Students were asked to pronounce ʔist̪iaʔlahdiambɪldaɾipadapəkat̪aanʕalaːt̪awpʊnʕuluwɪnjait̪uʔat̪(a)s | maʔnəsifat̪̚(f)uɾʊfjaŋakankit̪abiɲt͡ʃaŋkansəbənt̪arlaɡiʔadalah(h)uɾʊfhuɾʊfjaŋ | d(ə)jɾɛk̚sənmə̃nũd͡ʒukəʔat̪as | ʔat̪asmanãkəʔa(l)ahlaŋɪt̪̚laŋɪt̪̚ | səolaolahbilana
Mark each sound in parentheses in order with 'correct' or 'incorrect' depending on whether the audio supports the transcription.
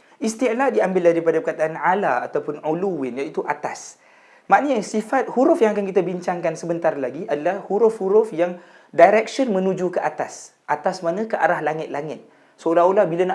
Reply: correct, incorrect, correct, incorrect, incorrect

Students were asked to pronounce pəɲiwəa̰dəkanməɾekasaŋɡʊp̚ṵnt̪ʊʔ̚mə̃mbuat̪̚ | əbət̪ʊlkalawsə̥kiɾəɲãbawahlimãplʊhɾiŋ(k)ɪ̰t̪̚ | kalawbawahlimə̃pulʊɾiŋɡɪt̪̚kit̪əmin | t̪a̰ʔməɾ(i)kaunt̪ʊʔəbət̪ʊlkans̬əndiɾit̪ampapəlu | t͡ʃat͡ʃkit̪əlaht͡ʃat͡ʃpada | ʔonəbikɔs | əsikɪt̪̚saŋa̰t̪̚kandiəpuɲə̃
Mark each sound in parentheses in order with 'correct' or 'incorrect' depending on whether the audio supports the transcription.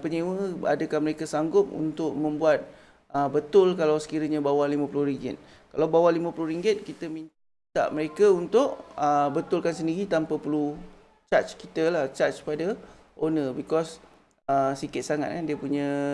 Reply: incorrect, incorrect

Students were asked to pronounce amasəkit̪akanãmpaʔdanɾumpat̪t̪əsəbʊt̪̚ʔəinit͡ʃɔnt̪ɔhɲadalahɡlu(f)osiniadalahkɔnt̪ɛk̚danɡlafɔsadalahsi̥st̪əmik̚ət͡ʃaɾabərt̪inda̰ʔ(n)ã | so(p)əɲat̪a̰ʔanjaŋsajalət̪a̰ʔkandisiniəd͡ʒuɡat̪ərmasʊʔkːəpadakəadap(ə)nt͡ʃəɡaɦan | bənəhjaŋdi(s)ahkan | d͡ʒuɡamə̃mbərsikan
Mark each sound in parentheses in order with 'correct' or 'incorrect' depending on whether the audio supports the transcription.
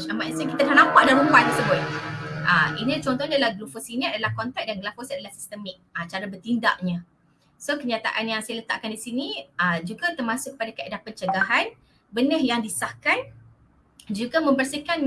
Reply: correct, incorrect, incorrect, correct, correct

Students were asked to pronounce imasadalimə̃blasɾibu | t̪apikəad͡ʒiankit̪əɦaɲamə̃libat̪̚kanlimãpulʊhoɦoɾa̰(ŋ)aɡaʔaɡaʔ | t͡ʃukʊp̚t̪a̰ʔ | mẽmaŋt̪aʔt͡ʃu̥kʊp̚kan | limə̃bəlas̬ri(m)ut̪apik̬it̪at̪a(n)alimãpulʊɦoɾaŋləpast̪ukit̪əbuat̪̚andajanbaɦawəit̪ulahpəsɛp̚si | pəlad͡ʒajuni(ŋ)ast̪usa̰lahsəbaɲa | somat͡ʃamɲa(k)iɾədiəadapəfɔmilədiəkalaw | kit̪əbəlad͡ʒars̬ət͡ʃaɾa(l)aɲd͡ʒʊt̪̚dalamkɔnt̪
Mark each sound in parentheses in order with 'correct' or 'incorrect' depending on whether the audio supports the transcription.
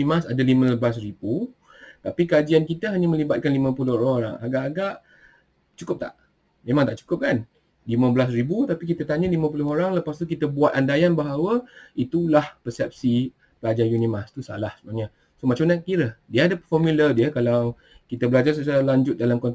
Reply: correct, incorrect, incorrect, incorrect, correct, correct

